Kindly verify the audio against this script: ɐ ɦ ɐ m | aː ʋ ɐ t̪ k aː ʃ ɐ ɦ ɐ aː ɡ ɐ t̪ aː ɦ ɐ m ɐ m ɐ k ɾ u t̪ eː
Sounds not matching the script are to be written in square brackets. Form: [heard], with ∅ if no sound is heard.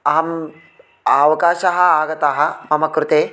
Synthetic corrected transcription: ɐ ɦ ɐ m | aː ʋ ɐ [∅] k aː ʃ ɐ ɦ ɐ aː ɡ ɐ t̪ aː ɦ ɐ m ɐ m ɐ k ɾ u t̪ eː